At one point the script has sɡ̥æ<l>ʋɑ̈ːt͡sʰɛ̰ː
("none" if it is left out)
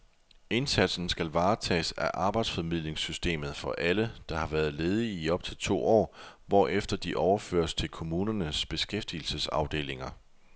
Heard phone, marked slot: l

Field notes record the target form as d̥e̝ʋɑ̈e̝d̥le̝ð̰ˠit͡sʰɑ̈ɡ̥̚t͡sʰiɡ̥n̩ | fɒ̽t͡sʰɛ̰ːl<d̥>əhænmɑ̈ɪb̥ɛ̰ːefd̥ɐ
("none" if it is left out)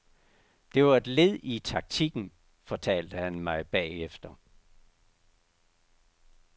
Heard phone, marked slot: d̥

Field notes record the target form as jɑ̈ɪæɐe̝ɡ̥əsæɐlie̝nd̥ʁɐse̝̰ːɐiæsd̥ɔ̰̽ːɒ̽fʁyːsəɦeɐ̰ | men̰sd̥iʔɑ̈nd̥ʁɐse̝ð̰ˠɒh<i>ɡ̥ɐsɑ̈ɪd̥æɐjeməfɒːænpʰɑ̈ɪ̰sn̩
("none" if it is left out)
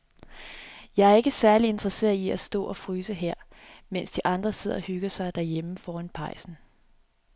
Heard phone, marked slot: y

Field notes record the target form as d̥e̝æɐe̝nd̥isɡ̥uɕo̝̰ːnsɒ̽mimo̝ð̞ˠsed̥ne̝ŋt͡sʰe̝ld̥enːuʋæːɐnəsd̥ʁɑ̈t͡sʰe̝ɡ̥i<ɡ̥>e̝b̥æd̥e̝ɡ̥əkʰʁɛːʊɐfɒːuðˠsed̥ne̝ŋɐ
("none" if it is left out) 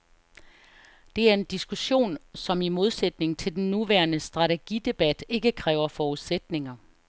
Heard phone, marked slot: d̥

